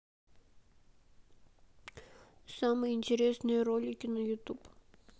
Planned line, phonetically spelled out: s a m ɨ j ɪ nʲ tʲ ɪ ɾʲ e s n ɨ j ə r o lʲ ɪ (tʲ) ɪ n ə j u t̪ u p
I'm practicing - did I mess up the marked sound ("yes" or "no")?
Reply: yes